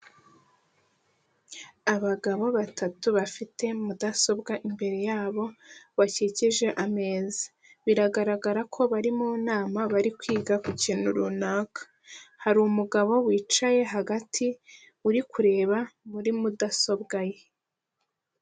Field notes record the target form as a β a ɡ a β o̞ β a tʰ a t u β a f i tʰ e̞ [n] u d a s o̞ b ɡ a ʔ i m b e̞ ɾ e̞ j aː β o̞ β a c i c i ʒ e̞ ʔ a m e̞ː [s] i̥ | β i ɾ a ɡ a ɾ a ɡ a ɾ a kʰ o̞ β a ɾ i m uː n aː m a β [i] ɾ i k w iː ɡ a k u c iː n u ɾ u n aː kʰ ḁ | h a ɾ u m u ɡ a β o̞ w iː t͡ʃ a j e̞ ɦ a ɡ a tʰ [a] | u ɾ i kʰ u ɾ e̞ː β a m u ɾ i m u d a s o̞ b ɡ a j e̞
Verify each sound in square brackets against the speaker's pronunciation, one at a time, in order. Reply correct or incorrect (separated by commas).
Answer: incorrect, incorrect, incorrect, incorrect